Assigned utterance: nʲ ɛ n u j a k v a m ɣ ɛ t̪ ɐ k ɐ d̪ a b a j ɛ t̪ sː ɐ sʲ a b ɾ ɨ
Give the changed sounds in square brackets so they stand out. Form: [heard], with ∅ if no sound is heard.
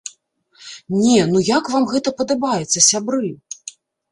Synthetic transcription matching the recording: nʲ ɛ n u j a k v a m ɣ ɛ t̪ ɐ [p] ɐ d̪ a b a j ɛ t̪ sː ɐ sʲ a b ɾ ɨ